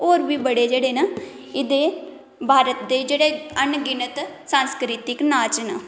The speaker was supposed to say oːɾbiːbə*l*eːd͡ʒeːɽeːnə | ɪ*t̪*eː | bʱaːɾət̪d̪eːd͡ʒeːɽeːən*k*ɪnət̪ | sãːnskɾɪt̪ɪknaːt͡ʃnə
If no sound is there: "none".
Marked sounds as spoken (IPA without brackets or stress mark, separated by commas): ɽ, d̪, ɡ